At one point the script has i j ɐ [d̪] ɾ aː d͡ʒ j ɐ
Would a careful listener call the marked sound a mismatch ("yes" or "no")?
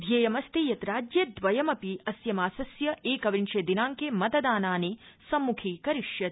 yes